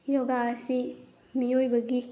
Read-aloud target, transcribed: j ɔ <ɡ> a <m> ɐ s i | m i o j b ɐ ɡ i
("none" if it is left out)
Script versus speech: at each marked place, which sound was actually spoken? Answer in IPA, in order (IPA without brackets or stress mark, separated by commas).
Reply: ɡ, none